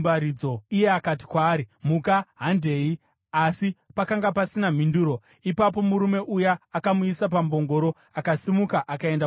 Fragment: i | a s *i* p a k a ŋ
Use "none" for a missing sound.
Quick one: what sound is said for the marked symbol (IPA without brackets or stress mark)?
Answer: i